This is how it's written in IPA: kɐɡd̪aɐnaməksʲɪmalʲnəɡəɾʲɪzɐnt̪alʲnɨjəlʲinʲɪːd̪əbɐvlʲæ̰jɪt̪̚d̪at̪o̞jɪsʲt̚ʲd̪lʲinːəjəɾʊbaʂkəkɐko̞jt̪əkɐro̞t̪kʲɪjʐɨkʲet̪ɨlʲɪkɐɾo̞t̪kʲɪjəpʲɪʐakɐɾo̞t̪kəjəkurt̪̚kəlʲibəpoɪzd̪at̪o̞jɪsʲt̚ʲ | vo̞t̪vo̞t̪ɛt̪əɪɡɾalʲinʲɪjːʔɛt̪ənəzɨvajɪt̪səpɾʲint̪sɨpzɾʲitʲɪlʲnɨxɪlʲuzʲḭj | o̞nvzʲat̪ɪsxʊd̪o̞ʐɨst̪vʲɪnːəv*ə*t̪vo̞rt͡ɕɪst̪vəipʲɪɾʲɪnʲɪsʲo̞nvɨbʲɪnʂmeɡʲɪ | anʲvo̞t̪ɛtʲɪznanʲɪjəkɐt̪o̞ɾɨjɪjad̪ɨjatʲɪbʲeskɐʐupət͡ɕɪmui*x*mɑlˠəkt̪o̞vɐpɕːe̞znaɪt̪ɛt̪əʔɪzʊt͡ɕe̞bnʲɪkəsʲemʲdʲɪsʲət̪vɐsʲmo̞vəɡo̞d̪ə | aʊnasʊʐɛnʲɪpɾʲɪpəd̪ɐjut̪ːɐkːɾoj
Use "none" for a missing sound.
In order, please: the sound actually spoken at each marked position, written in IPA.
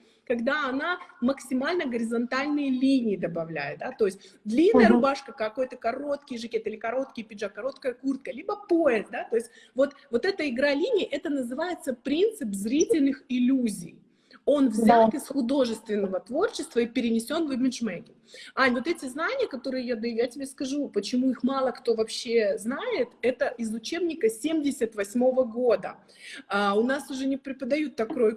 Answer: ə, x

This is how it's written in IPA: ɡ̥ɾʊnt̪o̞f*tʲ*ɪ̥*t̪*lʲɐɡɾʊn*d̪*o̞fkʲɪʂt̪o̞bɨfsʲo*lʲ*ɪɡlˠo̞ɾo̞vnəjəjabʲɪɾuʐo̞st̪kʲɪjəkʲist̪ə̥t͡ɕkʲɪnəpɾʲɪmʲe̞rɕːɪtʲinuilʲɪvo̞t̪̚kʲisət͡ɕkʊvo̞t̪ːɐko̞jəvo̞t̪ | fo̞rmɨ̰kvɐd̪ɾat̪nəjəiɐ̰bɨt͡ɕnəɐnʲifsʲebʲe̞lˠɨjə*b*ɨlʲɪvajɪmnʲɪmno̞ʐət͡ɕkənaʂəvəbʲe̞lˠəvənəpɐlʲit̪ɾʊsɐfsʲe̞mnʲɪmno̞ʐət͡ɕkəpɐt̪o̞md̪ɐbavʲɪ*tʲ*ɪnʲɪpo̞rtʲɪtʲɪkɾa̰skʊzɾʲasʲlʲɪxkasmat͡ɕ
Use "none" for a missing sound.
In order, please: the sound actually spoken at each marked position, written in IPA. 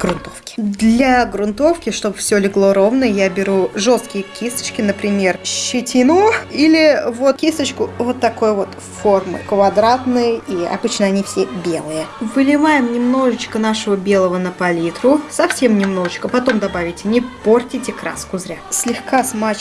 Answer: kʲ, d̪, t̪, lʲ, v, tʲ

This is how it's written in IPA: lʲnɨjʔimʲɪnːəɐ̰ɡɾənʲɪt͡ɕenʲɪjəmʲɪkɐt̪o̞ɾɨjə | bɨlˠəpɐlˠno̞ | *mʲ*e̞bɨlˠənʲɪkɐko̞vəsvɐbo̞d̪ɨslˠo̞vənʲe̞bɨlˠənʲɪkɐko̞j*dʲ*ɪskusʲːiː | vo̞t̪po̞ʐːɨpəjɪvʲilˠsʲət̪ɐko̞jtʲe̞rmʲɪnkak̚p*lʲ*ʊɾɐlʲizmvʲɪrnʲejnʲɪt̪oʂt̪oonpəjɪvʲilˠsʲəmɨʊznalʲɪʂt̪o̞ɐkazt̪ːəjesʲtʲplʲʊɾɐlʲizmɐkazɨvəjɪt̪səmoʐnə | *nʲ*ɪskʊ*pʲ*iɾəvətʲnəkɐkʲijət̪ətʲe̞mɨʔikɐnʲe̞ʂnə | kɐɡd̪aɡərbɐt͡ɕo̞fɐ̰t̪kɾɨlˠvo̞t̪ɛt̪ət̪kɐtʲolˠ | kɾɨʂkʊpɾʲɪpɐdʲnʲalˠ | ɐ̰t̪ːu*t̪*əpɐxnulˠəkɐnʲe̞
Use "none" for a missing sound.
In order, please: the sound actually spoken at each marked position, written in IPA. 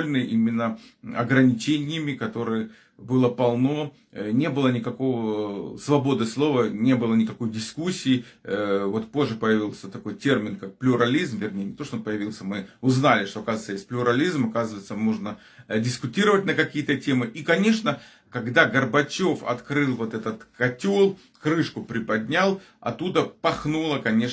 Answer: nʲ, dʲ, lʲ, dʲ, tʲ, d̪

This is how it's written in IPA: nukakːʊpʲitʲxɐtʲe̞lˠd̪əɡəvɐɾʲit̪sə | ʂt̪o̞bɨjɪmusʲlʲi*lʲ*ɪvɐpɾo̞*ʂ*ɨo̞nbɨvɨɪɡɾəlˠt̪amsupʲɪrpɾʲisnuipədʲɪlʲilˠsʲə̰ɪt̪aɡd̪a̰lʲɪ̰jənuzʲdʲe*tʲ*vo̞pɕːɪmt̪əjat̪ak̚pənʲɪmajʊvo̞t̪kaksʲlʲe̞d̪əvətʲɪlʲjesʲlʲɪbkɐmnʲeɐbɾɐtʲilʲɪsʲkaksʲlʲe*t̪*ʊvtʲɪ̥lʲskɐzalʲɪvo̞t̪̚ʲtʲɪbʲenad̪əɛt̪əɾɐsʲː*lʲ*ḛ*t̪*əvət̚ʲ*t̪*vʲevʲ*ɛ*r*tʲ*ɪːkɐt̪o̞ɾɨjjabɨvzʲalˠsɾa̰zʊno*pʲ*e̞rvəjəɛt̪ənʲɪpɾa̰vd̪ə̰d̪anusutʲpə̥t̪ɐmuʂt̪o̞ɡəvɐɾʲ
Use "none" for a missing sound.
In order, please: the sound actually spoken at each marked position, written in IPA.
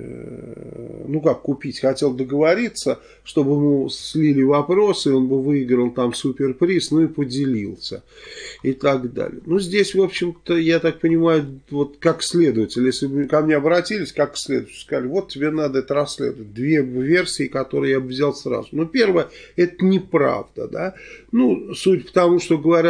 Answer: lʲ, s, sʲ, d̪, lʲ, d̪, d̪, e, sʲ, pʲ

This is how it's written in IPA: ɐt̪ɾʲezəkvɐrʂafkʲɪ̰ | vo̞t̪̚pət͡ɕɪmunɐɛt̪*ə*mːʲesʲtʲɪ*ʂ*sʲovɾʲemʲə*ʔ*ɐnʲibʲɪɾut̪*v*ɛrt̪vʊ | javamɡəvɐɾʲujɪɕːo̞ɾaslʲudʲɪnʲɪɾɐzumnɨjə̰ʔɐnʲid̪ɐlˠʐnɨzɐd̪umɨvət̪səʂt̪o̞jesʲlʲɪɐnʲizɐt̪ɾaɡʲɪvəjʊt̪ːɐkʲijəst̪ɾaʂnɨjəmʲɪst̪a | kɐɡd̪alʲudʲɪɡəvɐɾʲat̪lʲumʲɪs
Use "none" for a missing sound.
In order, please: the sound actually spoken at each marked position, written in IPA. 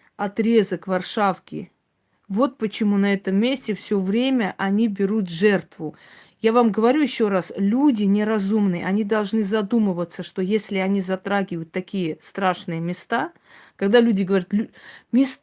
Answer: ə, f, ʔ, ʐ

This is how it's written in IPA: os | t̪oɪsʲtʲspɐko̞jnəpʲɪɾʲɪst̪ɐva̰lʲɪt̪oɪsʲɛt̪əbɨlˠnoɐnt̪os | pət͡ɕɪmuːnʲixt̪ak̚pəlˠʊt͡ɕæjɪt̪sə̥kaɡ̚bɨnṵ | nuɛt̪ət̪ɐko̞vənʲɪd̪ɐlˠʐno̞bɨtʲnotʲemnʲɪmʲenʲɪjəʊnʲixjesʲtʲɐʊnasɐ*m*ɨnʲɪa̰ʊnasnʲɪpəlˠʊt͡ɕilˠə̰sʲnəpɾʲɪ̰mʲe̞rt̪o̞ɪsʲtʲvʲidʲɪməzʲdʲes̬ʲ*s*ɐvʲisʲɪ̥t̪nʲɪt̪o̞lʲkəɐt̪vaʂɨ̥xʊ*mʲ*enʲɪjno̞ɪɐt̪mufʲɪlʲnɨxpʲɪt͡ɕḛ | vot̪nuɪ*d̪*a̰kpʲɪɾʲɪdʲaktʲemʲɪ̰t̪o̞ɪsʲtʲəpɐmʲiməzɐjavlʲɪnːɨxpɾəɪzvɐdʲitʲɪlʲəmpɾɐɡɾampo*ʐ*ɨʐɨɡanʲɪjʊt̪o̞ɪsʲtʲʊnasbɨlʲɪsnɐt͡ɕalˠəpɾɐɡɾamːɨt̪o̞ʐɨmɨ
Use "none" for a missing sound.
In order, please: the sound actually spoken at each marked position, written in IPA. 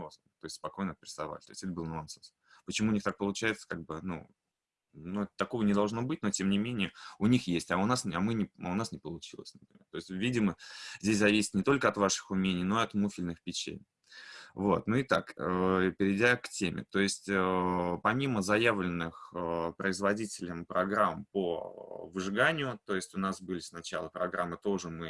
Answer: m, z, mʲ, t̪, v

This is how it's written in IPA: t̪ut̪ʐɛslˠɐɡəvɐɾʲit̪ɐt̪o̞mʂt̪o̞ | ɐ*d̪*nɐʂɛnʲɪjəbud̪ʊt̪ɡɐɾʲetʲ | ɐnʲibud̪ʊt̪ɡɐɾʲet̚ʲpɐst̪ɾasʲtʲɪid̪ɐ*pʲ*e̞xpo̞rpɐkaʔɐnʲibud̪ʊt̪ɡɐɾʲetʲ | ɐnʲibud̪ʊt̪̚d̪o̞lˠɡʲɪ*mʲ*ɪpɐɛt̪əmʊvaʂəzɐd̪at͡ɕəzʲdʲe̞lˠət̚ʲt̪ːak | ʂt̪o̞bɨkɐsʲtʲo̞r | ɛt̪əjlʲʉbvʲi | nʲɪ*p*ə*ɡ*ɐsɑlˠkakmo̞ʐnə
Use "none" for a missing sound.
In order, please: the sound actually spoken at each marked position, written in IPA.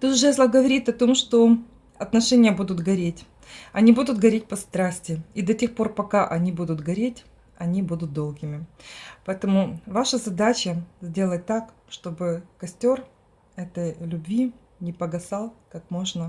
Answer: t̪, tʲ, mʲ, p, ɡ

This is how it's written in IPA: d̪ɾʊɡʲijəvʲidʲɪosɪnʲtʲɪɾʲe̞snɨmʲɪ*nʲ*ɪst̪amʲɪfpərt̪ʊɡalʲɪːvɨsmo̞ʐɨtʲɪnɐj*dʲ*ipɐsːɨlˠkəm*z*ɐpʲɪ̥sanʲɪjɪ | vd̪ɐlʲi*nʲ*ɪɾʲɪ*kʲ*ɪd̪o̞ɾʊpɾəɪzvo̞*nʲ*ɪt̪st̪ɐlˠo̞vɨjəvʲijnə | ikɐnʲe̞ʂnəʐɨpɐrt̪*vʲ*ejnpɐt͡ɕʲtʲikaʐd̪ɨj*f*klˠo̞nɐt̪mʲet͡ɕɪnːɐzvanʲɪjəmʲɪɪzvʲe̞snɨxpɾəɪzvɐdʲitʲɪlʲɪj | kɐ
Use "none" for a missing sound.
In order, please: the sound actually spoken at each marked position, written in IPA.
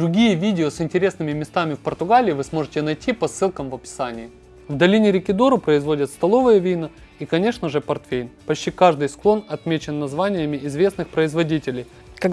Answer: mʲ, tʲ, v, nʲ, kʲ, dʲ, fʲ, s

